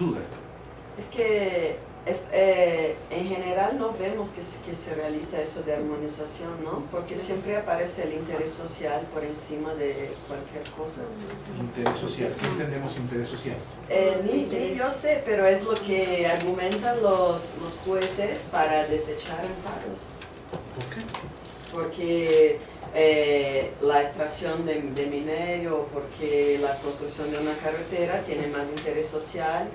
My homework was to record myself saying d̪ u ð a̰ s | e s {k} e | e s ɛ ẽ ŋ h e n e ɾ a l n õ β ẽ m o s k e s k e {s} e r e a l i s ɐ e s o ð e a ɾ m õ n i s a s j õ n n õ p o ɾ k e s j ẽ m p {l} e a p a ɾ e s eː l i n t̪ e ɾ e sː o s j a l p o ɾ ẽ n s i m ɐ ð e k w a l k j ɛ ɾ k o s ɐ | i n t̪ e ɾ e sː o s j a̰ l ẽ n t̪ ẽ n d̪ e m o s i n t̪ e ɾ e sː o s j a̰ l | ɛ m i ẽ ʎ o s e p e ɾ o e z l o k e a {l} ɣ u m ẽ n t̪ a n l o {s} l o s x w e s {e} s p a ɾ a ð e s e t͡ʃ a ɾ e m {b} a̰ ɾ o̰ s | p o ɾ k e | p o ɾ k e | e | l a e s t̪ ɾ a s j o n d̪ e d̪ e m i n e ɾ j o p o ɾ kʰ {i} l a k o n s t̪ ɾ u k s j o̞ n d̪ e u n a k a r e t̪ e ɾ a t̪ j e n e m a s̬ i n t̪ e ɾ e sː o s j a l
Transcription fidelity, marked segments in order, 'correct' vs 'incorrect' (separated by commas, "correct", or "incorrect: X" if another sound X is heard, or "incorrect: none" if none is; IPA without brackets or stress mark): correct, correct, incorrect: ɾ, incorrect: ɾ, correct, correct, incorrect: p, incorrect: e